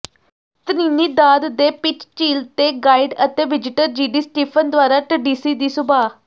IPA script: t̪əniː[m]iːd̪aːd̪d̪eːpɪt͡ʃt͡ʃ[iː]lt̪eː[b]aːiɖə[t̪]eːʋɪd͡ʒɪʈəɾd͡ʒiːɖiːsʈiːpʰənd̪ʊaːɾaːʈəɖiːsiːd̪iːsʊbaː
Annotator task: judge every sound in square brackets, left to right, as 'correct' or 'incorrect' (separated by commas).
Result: incorrect, correct, incorrect, correct